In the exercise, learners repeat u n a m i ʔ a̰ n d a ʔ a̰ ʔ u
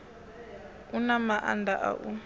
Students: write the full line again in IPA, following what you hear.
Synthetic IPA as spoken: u n a m a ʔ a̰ n d a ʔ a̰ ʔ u